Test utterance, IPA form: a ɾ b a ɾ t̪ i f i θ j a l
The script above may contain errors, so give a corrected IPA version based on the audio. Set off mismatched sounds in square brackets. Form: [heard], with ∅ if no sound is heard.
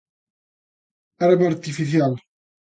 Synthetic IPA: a ɾ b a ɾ t̪ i f i θ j a l